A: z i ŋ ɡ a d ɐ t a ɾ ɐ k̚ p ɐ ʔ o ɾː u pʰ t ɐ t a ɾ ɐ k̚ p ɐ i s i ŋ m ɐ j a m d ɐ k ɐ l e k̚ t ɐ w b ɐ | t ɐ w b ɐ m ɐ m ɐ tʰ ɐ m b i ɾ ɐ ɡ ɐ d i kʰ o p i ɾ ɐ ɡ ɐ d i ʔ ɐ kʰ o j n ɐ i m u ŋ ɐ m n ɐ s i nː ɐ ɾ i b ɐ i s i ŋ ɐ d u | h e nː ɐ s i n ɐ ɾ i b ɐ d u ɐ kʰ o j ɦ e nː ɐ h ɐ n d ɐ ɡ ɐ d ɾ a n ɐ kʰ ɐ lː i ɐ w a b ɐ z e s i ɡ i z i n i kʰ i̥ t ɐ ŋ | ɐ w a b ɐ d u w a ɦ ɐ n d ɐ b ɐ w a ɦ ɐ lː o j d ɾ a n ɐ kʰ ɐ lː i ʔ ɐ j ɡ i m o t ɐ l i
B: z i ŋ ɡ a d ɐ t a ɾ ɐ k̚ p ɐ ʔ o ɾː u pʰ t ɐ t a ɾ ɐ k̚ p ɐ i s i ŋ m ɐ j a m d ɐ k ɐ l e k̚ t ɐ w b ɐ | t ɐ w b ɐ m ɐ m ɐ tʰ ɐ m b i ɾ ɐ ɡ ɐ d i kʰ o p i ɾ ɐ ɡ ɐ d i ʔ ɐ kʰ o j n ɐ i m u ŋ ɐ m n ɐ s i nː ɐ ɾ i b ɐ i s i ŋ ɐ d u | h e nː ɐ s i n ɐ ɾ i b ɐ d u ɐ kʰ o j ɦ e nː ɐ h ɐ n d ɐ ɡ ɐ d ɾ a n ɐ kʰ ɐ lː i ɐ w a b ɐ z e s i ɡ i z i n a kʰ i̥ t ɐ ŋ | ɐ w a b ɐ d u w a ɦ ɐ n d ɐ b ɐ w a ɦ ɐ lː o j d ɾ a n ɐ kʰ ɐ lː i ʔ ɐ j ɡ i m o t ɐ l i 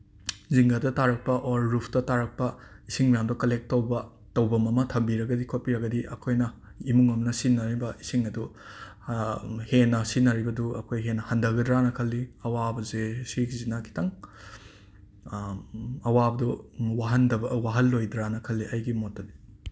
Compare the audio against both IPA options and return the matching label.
B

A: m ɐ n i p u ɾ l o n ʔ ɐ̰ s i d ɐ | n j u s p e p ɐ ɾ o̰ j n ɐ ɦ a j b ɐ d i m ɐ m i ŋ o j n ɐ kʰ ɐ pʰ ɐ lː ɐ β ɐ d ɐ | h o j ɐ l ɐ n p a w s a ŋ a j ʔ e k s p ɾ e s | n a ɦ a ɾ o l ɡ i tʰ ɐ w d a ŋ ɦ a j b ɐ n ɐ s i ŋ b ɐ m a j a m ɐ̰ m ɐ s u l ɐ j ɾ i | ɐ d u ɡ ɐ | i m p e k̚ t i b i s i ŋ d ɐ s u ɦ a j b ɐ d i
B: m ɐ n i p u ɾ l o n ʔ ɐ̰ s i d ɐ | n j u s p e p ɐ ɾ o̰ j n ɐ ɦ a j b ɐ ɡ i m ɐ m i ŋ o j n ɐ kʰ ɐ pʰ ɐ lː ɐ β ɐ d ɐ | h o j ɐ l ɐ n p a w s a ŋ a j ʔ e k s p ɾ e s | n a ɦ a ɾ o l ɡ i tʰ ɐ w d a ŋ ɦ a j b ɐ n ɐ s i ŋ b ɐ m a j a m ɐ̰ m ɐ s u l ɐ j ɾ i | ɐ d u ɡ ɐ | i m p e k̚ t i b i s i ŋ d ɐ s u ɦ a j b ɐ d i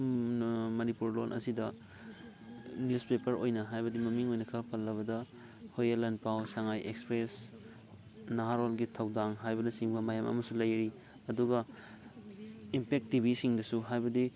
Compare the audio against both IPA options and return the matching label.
A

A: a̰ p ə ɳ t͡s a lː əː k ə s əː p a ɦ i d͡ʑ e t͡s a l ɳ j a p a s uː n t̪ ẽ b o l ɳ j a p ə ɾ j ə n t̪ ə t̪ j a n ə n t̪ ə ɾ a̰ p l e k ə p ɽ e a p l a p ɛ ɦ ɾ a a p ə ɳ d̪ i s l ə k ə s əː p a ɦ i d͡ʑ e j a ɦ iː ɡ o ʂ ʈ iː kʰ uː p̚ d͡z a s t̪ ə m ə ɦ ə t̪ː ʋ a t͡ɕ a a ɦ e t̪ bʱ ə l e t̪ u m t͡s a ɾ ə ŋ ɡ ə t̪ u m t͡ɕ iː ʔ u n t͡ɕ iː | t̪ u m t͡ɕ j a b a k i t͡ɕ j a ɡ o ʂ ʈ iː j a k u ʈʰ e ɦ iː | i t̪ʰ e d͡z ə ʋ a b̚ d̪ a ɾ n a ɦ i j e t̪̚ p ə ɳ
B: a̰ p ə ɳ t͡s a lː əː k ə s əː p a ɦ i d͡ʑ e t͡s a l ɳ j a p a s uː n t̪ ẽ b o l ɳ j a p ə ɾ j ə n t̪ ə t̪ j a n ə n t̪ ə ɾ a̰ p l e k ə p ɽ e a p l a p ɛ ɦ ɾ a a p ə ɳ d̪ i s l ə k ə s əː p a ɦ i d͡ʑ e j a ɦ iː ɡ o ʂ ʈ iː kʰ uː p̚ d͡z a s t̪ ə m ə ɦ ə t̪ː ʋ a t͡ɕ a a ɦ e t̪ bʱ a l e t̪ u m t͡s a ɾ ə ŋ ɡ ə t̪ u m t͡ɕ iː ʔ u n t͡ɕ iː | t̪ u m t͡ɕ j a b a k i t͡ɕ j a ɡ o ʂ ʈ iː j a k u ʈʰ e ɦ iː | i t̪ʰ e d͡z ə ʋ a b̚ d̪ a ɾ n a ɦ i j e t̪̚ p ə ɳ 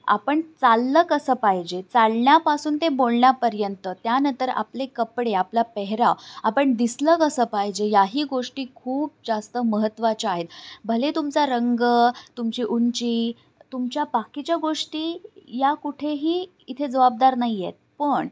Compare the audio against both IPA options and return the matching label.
A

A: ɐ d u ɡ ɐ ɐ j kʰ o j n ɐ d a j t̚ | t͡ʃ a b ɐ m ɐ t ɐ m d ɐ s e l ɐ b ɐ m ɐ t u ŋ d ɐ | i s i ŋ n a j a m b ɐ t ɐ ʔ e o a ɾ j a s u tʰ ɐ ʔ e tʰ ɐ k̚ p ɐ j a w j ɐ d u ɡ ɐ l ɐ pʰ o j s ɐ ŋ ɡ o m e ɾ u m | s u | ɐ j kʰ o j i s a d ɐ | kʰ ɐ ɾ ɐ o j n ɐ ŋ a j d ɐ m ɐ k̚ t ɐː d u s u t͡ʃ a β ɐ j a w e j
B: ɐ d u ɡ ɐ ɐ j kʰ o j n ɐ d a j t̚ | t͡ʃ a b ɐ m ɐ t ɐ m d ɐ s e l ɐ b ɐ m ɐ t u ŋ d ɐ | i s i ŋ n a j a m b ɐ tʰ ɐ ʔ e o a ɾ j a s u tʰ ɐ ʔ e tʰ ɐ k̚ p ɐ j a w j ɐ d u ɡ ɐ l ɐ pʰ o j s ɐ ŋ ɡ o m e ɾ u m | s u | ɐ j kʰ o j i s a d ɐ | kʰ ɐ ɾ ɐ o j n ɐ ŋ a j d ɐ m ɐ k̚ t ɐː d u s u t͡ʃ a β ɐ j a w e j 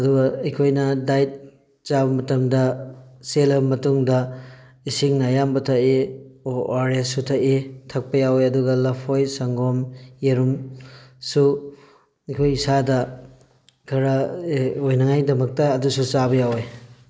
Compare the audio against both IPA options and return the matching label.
B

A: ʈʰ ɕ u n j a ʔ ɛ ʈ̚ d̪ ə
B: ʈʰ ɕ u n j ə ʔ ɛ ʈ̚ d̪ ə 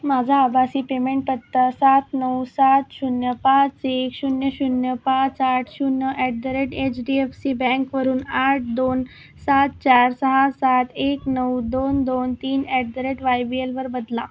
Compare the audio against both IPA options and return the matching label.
B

